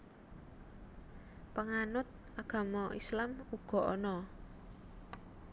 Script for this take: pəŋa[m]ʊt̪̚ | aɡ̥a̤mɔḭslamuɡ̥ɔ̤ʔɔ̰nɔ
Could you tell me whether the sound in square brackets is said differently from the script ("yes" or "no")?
yes